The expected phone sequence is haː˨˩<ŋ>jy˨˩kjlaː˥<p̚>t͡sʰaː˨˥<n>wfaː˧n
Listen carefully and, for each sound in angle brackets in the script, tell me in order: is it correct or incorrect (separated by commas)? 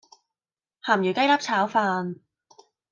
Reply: incorrect, correct, incorrect